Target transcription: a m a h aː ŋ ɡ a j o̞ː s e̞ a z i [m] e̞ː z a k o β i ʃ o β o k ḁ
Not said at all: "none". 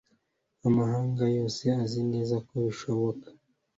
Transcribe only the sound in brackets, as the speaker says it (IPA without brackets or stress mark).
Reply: n